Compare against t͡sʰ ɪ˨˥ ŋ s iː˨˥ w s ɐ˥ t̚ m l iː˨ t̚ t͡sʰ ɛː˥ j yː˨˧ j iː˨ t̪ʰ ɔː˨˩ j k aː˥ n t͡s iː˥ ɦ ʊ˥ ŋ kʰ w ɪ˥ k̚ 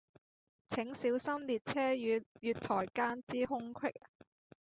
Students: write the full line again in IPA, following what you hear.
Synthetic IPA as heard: t͡sʰ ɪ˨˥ ŋ s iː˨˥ w s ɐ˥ m l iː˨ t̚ t͡sʰ ɛː˥ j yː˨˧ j yː˨ t̪ʰ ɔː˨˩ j k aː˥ n t͡s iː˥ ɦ ʊ˥ ŋ kʰ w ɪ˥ k̚